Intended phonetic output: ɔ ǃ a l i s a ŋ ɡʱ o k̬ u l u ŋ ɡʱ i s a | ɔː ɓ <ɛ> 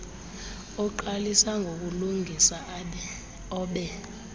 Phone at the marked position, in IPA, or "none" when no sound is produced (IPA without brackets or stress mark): ɛ